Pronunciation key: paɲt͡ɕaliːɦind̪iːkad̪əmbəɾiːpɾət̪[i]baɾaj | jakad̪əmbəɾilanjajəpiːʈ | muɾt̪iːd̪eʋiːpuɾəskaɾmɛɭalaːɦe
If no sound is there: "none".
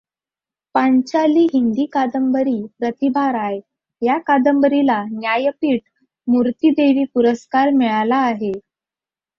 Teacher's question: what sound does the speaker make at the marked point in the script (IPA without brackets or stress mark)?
i